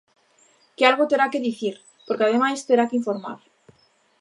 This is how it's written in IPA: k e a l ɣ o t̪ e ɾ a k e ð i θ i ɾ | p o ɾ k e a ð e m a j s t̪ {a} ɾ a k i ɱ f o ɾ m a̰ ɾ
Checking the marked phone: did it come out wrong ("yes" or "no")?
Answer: yes